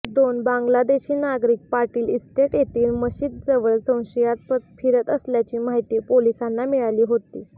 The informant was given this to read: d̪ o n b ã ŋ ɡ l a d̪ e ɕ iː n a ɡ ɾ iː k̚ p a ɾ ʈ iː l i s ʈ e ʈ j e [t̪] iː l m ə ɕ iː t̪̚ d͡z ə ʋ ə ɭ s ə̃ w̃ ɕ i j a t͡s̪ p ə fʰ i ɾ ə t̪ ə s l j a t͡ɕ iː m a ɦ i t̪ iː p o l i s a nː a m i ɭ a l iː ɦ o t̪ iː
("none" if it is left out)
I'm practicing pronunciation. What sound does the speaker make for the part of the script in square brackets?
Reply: t̪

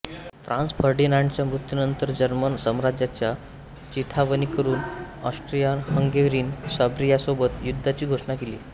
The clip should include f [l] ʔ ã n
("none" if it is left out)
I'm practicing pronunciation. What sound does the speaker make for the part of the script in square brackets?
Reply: ɾ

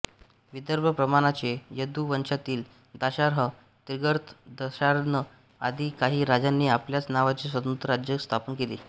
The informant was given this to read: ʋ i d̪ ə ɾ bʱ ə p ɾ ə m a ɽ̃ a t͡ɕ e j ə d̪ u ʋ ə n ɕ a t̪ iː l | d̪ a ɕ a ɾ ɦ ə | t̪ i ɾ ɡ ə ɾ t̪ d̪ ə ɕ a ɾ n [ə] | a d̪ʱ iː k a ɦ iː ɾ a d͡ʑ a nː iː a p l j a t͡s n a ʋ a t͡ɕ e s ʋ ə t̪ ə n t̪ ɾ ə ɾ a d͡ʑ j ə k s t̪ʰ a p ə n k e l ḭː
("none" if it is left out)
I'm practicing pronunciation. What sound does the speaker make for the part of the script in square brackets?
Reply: ə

